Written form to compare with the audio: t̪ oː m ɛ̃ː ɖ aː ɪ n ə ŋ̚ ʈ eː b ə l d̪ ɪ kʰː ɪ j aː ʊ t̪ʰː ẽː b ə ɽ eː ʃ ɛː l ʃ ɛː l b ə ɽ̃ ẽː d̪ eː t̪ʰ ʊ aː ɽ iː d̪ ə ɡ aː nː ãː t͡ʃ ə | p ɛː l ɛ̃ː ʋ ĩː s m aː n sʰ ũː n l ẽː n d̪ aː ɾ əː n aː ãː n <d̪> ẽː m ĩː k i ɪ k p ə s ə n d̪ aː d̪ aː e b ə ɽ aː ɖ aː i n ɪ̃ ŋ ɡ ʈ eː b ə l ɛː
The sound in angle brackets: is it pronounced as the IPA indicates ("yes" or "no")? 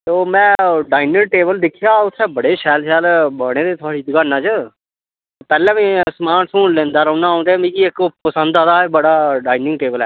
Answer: yes